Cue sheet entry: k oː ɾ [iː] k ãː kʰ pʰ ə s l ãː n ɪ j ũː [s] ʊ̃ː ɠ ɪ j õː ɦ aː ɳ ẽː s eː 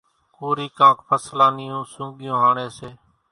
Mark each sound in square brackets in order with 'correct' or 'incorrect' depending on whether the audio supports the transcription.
correct, correct

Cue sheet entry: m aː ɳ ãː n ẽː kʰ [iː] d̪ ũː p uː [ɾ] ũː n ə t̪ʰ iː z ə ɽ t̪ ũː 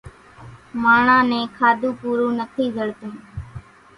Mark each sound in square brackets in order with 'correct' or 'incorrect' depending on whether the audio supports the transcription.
incorrect, correct

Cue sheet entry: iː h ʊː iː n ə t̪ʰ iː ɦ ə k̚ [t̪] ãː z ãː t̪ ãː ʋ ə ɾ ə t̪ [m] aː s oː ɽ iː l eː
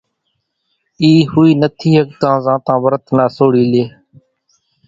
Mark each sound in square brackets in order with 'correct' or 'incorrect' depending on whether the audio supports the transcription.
correct, incorrect

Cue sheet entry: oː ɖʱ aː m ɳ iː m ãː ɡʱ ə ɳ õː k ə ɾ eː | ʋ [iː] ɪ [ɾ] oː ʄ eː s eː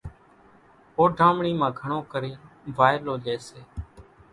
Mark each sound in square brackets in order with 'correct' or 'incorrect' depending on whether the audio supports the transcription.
incorrect, incorrect

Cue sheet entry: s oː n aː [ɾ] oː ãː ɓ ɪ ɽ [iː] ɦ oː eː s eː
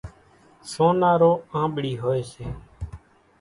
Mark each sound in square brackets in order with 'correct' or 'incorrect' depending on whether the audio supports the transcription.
correct, correct

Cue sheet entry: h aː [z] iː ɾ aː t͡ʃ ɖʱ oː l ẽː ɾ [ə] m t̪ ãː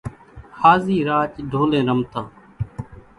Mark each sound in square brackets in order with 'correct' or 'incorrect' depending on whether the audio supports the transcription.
correct, correct

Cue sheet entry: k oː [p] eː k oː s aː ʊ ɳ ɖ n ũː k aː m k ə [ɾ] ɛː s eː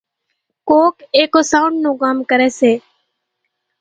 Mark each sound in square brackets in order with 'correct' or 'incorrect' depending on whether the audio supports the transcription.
incorrect, correct

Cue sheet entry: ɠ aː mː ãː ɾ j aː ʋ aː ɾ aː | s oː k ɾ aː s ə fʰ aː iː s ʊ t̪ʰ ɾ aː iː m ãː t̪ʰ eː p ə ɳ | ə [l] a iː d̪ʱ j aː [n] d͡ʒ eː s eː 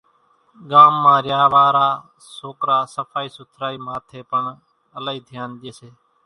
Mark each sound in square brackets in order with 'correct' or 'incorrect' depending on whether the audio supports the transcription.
correct, correct

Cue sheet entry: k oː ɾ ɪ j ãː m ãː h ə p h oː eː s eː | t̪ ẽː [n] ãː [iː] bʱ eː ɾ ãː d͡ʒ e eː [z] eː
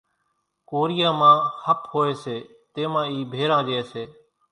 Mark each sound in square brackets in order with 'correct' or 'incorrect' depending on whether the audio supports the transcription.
incorrect, correct, incorrect

